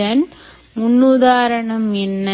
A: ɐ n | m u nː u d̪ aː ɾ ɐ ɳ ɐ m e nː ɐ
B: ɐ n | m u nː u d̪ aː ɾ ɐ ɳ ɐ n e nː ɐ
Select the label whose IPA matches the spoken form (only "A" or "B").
A